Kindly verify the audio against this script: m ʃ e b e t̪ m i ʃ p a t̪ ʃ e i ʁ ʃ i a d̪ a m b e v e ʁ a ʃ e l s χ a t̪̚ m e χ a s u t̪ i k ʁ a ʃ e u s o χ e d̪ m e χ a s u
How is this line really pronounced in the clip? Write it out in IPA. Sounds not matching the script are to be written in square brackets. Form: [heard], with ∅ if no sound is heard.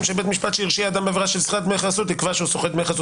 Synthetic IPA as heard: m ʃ e b e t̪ m i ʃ p a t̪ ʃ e i ʁ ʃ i a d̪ a m b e v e ʁ a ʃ e l s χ a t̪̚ m e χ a s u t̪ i k [v] a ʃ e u s o χ e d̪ m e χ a s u

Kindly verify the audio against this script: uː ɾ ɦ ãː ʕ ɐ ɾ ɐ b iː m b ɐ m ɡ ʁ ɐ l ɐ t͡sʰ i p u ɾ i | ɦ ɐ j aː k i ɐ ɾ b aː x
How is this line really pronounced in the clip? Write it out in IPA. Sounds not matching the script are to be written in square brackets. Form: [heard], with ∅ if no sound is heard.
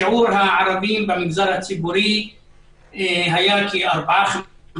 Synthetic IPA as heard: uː ɾ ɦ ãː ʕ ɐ ɾ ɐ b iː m b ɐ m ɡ [z] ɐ [ɾ] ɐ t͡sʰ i [b] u ɾ i | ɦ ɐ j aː k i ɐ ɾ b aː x

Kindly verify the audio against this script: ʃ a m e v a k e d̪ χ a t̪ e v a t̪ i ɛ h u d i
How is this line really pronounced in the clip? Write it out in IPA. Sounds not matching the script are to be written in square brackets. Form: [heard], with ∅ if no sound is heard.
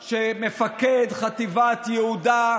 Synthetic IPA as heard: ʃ [e] m e [f] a k e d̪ χ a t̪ [i] v a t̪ [j] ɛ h u d [a]

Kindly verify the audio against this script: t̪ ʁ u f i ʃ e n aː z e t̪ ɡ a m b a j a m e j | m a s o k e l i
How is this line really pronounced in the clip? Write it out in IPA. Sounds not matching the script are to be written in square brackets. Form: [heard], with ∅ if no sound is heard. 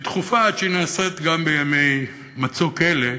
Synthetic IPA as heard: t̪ [χ] u f [a] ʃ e n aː [s] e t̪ ɡ a m b [e] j a m e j | m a [t͡s] o k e l [e]

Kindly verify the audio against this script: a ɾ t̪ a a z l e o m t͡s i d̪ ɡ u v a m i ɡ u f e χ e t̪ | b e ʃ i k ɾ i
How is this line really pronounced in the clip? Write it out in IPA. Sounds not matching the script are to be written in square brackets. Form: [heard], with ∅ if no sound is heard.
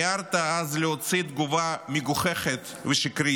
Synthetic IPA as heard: a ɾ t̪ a a z l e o [∅] t͡s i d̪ ɡ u v a m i ɡ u [χ] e χ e t̪ | [v] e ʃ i k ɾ i

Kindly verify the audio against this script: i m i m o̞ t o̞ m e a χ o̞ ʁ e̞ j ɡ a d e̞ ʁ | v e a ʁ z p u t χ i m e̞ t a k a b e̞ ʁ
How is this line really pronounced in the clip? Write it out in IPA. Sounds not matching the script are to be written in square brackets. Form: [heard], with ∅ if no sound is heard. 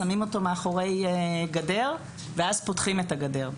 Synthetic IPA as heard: [a] m i m o̞ t o̞ m e a χ o̞ ʁ e̞ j ɡ a d e̞ ʁ | v e a [∅] z p [o] t χ i m e̞ t a [ɡ] a [d] e̞ ʁ

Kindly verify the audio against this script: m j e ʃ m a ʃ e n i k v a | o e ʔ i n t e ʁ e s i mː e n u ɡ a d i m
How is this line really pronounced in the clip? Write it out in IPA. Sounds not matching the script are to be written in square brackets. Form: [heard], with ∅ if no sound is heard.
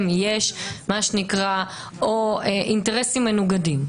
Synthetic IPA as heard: m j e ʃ m a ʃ e n i k [ʁ] a | o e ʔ i n t e ʁ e s i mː e n u ɡ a d i m

